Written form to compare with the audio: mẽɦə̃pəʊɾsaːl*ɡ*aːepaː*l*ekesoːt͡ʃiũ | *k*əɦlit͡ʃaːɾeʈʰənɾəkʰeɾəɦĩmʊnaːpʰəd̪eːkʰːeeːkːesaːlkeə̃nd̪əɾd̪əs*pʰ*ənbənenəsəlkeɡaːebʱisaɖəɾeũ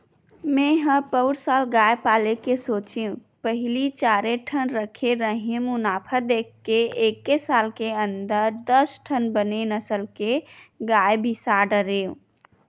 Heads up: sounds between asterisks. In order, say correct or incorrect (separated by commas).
correct, correct, incorrect, incorrect